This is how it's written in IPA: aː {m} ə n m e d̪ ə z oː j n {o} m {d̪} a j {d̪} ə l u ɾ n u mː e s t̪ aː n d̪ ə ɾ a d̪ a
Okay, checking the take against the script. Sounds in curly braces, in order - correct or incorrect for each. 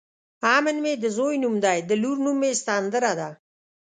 correct, incorrect, correct, correct

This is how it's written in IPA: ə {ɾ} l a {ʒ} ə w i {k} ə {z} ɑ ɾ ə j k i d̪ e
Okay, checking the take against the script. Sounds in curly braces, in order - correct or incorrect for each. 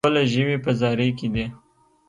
incorrect, correct, incorrect, correct

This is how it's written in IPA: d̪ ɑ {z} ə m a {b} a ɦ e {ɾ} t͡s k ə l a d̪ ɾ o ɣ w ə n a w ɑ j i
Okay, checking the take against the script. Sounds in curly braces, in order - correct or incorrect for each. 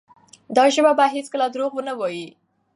incorrect, correct, incorrect

